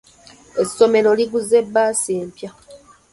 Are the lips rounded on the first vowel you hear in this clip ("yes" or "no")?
no